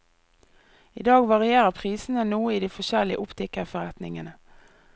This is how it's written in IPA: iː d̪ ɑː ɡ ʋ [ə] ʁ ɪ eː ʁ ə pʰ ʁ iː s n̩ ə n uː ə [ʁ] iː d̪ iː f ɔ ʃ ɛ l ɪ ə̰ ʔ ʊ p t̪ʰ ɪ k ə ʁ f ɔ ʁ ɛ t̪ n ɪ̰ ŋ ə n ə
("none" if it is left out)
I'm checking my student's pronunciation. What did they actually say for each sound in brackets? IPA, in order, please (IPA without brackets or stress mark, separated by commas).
ɑ, none